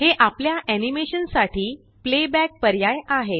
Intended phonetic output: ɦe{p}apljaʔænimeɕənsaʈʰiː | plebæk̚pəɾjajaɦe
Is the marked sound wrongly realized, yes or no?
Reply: yes